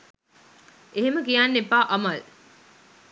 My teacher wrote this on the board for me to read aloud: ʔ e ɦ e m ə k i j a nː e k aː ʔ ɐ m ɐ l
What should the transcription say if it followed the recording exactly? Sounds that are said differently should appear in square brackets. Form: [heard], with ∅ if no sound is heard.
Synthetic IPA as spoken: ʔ e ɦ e m ə k i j a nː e [p] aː ʔ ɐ m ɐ l